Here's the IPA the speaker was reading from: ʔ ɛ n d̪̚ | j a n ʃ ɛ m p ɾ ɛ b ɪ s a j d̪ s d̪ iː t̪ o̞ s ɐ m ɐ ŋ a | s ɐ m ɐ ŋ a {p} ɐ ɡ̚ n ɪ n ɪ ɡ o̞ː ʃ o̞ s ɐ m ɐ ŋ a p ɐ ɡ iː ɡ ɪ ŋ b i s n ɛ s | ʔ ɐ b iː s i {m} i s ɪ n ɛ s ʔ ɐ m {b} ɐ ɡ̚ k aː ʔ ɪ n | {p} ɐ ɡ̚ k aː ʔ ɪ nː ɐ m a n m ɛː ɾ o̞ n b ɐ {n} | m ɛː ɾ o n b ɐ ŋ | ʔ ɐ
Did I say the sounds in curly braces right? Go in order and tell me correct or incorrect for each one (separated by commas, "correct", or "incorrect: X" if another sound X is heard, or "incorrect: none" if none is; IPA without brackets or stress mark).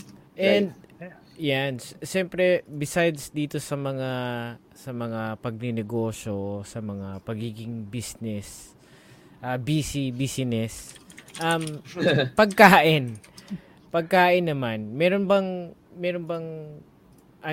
correct, incorrect: b, incorrect: p, correct, incorrect: ŋ